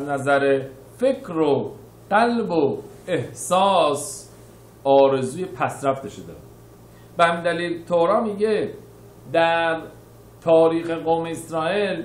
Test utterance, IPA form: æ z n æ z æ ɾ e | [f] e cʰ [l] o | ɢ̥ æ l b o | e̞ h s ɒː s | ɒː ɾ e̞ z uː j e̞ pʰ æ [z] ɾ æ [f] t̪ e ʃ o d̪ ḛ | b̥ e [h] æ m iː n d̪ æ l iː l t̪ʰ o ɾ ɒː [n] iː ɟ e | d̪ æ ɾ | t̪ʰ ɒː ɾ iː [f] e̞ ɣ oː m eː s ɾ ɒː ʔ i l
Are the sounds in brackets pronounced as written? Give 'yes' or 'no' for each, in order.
yes, no, no, yes, yes, no, no

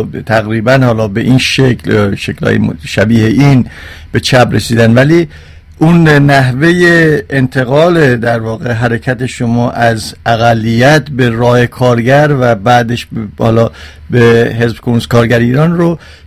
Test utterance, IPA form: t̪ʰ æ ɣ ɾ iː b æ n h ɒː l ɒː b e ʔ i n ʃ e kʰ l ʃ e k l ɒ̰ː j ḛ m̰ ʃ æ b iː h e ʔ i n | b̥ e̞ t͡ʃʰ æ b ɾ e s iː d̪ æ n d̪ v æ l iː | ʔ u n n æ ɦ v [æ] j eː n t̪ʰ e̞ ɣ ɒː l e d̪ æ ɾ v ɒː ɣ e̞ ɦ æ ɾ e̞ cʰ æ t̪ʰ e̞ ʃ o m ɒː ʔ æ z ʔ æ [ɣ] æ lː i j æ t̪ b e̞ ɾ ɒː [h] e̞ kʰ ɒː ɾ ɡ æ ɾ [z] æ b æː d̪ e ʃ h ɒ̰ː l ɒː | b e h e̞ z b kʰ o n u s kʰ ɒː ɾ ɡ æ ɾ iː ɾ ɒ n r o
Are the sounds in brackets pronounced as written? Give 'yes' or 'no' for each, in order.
no, yes, yes, no

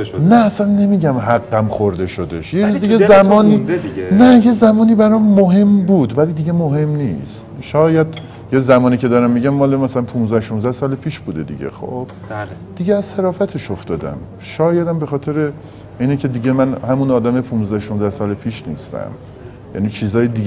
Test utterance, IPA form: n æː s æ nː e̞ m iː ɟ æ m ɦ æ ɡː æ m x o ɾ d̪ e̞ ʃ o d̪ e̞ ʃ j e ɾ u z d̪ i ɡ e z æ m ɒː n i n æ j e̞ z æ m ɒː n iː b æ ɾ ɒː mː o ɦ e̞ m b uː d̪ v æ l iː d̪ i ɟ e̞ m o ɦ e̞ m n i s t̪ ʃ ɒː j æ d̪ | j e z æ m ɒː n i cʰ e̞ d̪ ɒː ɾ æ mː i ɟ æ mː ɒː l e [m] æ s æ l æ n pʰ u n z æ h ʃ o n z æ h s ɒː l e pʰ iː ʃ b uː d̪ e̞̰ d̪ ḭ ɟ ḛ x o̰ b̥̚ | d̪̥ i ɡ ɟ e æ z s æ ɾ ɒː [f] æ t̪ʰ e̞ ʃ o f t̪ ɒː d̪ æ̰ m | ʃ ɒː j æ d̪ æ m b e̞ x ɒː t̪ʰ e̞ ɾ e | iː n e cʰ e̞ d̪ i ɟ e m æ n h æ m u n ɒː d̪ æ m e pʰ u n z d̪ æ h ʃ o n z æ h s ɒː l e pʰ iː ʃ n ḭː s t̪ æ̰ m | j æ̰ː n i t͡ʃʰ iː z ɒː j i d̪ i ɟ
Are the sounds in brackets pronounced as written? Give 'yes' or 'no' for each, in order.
yes, yes

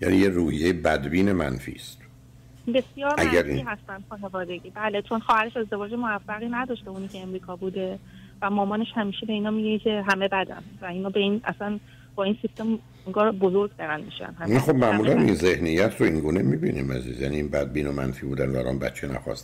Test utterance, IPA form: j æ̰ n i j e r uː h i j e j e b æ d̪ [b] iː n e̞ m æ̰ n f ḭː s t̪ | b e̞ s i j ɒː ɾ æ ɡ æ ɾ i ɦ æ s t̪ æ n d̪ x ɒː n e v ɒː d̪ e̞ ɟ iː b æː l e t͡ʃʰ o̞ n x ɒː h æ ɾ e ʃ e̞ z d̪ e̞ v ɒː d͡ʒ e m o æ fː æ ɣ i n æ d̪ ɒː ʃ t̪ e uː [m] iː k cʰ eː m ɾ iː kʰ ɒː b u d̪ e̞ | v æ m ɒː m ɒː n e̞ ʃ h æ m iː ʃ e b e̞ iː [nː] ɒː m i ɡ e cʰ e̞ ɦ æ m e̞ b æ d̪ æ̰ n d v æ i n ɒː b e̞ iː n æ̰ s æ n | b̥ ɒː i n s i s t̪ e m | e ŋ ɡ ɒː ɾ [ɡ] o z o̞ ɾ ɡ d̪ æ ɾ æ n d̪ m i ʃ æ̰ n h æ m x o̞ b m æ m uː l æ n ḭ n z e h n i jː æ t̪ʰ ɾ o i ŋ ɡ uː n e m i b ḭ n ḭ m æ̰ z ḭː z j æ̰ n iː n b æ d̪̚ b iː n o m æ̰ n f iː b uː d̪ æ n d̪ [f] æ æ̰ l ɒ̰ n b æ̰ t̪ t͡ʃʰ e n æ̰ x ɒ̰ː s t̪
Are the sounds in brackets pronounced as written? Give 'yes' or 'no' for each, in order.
yes, no, no, no, no

